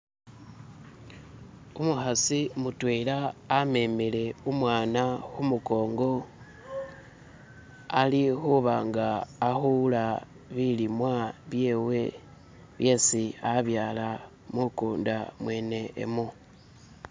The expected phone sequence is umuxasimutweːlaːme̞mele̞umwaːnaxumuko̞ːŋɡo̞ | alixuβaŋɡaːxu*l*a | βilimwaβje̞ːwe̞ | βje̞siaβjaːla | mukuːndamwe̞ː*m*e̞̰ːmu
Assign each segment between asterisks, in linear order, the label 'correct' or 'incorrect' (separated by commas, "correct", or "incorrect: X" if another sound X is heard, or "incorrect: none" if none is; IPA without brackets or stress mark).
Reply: correct, incorrect: n